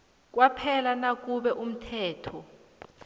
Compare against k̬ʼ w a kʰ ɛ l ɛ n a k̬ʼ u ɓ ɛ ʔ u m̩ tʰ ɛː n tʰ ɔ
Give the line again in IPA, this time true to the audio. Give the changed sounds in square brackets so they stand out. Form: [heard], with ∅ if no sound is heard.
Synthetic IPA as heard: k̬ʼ w a [pʰ] ɛ l [a] n a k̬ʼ u ɓ ɛ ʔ u m̩ tʰ ɛː [∅] tʰ ɔ